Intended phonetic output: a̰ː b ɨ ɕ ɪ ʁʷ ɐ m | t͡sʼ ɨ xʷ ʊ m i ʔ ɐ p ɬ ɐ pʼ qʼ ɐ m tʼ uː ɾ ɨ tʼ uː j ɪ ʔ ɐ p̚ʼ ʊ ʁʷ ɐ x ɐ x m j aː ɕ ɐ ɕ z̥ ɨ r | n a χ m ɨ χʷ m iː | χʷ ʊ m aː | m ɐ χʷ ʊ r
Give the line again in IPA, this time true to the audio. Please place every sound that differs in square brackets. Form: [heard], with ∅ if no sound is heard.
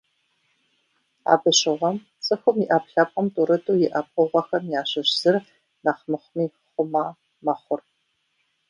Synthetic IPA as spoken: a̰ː b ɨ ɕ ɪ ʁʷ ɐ m | t͡sʼ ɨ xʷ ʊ m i ʔ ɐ p ɬ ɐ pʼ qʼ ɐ m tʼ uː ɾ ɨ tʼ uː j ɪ ʔ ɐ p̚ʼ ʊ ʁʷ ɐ x ɐ [∅] m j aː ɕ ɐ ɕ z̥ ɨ r | n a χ m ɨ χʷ m iː | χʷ ʊ m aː | m ɐ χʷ ʊ r